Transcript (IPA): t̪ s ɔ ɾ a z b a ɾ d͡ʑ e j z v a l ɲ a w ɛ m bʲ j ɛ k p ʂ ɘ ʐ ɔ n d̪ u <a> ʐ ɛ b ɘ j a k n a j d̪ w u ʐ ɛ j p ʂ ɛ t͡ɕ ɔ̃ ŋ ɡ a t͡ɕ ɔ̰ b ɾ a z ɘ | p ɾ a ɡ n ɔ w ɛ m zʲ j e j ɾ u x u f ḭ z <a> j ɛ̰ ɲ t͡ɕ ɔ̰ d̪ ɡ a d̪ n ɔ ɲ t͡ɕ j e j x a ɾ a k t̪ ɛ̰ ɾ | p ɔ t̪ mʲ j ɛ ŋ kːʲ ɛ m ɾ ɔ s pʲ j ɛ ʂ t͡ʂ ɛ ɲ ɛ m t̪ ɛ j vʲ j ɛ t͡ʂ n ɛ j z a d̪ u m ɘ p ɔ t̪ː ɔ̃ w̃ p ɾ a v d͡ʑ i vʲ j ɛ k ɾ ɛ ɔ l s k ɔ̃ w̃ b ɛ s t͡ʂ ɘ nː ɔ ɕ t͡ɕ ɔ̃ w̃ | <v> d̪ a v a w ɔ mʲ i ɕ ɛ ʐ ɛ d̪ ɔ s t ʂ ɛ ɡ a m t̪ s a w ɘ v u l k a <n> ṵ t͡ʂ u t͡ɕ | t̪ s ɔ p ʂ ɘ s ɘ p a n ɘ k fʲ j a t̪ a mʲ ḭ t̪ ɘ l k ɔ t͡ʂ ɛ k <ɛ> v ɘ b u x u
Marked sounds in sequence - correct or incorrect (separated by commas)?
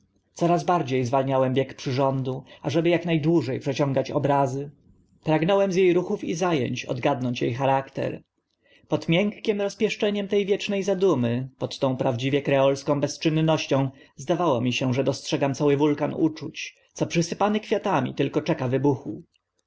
correct, correct, incorrect, correct, incorrect